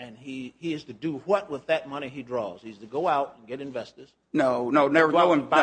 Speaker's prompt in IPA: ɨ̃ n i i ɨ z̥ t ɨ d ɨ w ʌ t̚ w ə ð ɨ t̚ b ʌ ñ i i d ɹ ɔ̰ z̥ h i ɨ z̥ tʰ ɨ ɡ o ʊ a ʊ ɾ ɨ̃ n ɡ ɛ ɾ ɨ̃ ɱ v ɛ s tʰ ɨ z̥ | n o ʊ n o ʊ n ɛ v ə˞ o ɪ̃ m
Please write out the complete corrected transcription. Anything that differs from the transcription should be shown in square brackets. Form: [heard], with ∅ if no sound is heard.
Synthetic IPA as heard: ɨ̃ n i i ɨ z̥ t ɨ d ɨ w ʌ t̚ w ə ð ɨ t̚ [m] ʌ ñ i i d ɹ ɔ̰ z̥ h i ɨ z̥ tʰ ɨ ɡ o ʊ a ʊ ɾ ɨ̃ n ɡ ɛ ɾ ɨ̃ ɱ v ɛ s [t] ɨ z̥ | n o ʊ n o ʊ n ɛ v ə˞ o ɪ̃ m